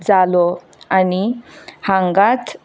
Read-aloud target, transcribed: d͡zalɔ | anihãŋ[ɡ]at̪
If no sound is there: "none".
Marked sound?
ɡ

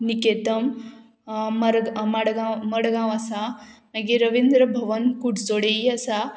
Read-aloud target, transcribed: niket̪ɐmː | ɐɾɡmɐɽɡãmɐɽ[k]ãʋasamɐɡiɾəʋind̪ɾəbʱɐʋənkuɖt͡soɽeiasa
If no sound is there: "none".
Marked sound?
ɡ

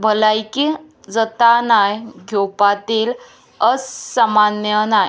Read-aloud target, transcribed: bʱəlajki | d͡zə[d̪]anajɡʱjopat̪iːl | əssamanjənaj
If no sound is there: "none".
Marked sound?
t̪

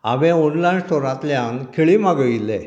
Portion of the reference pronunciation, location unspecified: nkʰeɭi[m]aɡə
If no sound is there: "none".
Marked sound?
m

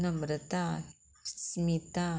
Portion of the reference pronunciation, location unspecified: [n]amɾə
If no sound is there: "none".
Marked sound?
n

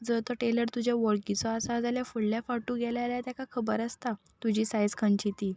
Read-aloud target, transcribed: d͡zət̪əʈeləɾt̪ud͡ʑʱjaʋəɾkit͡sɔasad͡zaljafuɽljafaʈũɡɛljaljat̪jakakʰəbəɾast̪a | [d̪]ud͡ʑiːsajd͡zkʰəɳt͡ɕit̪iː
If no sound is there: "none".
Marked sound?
t̪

